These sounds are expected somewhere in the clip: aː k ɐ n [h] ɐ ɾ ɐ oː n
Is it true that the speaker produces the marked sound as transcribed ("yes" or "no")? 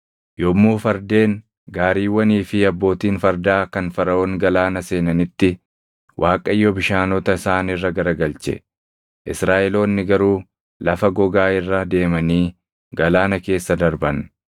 no